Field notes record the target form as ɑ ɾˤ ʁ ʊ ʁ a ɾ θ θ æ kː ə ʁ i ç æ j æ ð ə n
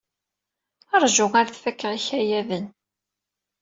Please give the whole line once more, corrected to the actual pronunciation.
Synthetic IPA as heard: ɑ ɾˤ ʒ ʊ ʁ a ɾ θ f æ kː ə ʁ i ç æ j æ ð ə n